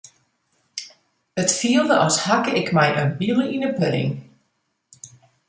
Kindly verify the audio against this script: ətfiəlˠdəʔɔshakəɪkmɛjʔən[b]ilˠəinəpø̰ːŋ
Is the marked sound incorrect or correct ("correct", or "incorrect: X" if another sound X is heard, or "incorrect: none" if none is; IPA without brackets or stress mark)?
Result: correct